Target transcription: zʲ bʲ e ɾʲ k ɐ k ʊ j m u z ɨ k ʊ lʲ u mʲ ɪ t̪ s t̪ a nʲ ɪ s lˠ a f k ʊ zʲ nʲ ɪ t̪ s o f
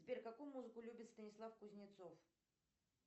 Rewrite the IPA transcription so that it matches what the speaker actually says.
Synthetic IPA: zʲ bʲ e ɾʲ k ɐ k u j m u z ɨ k ʊ lʲ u bʲ ɪ t̪ s t̪ ə nʲ ɪ s lˠ a f k ʊ zʲ nʲ ɪ t̪ s o f